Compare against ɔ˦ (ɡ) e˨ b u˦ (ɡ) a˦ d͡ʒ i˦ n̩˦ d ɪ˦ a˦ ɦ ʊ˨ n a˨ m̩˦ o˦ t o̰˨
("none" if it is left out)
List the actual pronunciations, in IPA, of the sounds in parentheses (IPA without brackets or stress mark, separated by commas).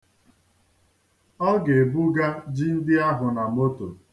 ɡ, ɡ